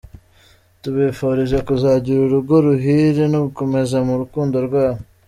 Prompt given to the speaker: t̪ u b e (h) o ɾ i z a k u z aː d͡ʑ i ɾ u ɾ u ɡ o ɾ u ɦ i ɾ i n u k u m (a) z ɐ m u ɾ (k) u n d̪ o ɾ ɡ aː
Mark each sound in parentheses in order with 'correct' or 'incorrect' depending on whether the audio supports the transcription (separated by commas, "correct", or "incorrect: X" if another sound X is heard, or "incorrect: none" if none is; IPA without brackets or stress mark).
incorrect: f, incorrect: e, correct